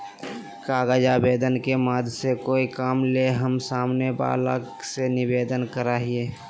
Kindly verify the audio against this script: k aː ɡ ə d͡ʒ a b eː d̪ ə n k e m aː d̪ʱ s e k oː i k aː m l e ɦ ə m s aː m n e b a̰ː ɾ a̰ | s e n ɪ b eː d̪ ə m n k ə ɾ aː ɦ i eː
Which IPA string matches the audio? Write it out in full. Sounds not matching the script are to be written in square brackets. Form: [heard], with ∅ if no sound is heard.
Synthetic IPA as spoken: k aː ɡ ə d͡ʒ a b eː d̪ ə n k e m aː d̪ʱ s e k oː i k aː m l e ɦ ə m s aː m n e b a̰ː [l] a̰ | s e n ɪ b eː d̪ ə [∅] n k ə ɾ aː ɦ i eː